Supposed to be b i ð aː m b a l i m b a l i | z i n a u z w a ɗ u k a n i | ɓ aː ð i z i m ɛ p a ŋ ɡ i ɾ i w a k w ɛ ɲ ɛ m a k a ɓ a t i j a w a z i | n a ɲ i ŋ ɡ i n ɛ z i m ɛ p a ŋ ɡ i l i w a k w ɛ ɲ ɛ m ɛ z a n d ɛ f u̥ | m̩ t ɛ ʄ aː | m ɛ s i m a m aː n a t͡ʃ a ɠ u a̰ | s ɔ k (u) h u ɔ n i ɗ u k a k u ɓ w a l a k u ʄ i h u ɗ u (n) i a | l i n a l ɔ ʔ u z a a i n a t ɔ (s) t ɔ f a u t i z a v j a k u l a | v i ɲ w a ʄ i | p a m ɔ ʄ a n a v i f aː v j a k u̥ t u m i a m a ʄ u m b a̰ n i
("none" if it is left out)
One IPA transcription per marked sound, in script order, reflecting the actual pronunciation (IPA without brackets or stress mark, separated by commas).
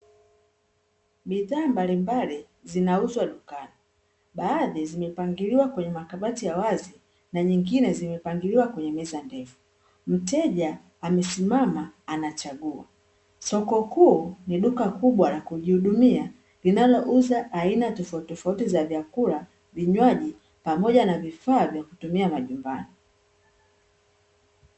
ɔ, m, f